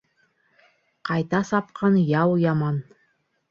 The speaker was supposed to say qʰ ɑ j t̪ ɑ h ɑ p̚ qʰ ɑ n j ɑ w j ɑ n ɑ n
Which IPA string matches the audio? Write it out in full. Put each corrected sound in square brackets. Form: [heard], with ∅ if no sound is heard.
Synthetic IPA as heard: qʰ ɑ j t̪ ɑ [s] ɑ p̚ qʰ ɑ n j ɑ w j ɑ [m] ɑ n